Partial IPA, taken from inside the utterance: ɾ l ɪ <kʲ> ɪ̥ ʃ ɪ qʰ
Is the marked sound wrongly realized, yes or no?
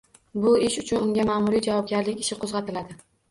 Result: no